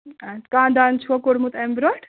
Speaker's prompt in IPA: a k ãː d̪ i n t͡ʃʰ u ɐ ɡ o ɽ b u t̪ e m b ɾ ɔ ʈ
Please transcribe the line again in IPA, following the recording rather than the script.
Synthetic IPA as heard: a k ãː d̪ a n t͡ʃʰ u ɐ k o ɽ m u t̪ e m b ɾ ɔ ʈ